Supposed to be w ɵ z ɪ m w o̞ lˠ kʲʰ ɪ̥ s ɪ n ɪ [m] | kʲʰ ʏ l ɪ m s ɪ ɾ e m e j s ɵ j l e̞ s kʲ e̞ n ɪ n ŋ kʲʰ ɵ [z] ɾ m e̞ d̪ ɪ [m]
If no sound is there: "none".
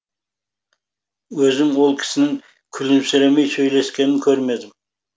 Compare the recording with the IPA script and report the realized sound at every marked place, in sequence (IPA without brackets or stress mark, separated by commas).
ŋ, none, m